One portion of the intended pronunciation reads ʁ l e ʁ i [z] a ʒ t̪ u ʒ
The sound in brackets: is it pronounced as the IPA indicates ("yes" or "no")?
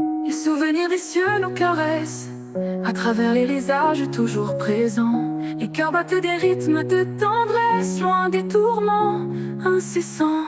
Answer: yes